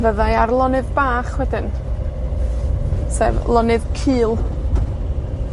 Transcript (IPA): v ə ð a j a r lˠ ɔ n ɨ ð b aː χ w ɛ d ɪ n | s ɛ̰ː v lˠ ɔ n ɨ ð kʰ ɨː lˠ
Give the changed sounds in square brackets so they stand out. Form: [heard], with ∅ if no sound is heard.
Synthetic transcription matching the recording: v ə ð a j a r lˠ ɔ n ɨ ð b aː χ w ɛ d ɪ n | s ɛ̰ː v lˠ ɔ n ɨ ð kʰ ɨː lˠ